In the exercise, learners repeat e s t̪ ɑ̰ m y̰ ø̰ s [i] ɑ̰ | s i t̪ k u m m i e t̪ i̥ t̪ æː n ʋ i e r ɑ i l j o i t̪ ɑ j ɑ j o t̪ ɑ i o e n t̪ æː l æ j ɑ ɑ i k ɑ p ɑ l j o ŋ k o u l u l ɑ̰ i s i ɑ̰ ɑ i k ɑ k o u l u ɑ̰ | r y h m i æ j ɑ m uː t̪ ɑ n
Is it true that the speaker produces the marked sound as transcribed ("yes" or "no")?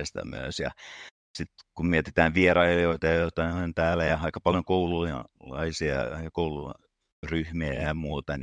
no